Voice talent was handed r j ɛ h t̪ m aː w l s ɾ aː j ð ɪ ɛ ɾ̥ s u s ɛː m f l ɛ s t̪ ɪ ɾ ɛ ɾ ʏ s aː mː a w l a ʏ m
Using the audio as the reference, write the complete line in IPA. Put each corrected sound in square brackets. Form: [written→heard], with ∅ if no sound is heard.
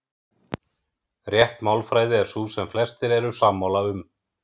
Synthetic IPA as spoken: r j ɛ h t̪ m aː w l [s→f] ɾ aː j ð ɪ ɛ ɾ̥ s u s [ɛː→ɛ] m f l ɛ s t̪ ɪ ɾ ɛ ɾ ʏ s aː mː a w l a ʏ m